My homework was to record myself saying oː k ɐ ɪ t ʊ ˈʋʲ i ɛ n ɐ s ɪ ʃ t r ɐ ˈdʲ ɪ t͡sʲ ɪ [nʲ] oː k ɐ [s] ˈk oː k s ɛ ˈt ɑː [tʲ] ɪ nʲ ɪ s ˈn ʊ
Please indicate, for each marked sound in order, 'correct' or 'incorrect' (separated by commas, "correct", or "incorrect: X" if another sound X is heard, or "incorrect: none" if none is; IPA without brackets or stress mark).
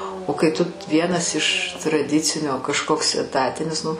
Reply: correct, incorrect: ʃ, correct